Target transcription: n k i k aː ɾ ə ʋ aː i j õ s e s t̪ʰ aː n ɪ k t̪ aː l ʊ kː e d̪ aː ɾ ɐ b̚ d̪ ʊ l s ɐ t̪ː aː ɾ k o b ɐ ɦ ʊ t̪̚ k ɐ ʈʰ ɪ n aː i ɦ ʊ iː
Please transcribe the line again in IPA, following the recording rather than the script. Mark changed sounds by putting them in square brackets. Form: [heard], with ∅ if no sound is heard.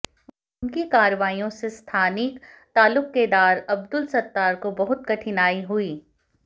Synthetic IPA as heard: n k i k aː ɾ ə ʋ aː i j õ s e s t̪ʰ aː n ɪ k t̪ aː l ʊ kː e d̪ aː ɾ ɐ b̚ d̪ ʊ l s ɐ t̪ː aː ɾ k o b ɐ ɦ ʊ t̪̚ k ɐ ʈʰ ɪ n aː i ɦ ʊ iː